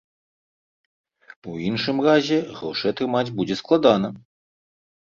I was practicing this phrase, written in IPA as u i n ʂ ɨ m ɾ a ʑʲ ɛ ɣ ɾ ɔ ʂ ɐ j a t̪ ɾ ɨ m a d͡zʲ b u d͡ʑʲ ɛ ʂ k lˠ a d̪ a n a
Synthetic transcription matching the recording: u i n ʂ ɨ m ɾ a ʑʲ ɛ ɣ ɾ ɔ ʂ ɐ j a t̪ ɾ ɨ m a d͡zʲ b u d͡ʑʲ ɛ s k lˠ a d̪ a n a